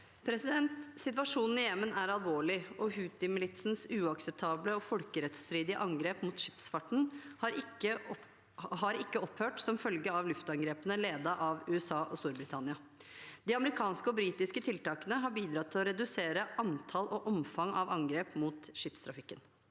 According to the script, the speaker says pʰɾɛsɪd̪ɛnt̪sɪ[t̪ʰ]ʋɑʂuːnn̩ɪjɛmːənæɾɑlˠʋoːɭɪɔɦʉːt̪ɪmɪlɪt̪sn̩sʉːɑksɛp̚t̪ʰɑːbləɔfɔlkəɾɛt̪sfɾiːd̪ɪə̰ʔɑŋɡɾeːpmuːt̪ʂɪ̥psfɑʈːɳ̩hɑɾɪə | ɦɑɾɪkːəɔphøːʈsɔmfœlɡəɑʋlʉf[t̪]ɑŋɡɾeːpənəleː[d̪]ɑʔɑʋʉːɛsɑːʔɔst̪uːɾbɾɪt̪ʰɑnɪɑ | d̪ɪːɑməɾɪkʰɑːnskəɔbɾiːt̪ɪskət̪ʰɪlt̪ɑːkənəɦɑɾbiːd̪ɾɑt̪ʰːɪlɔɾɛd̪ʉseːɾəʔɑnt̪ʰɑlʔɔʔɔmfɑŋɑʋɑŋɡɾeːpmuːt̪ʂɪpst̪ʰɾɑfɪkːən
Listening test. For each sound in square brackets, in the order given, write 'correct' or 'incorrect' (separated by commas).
incorrect, correct, correct